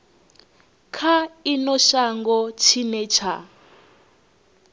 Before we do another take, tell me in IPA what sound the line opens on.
kʰ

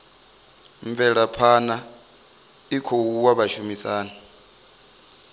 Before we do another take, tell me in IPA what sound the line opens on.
ɱ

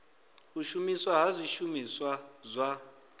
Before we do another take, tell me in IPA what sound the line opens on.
u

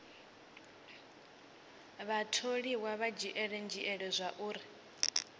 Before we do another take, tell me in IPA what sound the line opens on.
β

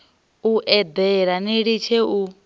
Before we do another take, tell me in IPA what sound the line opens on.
u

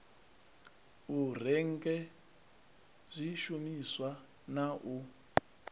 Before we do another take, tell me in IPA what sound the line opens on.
u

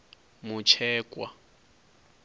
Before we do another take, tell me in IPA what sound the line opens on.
m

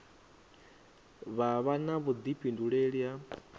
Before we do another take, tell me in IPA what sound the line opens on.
β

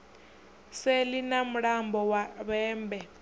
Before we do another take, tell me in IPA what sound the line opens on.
s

